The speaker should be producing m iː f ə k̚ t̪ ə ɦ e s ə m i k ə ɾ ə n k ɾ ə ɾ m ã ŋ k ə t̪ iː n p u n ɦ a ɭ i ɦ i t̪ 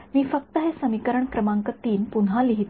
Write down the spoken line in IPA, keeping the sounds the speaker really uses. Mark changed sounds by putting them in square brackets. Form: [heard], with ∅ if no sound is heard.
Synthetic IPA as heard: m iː f ə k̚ t̪ ə ɦ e s ə m i k ə ɾ ə [ɳ] k ɾ ə [∅] m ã ŋ k ə t̪ iː n p u n ɦ a [l] i ɦ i t̪